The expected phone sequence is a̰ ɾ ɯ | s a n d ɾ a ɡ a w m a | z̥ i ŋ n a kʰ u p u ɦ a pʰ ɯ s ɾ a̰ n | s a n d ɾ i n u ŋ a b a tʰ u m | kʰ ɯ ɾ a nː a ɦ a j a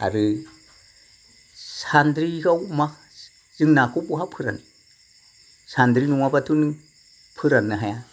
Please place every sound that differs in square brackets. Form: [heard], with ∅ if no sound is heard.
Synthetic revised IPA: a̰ ɾ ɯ | s a n d ɾ [i] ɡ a w m a | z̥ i ŋ n a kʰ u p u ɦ a pʰ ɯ [∅] ɾ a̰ n | s a n d ɾ i n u ŋ a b a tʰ u [n] | [pʰ] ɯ ɾ a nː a ɦ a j a